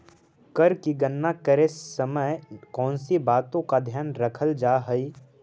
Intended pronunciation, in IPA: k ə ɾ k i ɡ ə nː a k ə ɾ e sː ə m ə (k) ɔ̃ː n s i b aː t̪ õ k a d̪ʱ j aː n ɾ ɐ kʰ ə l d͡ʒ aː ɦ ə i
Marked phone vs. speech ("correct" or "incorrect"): correct